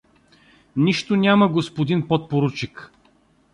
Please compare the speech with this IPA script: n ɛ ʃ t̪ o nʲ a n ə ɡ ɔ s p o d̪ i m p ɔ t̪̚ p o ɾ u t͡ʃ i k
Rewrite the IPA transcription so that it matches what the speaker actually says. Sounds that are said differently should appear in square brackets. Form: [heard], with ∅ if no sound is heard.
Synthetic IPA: n [i] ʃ t̪ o nʲ a [m] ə ɡ [o] s p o d̪ i [n] p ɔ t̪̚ p o ɾ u t͡ʃ i k